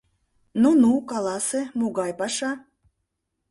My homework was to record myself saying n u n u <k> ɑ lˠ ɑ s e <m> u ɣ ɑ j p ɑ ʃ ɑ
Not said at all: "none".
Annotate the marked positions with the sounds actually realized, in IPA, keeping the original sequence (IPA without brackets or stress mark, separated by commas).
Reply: k, m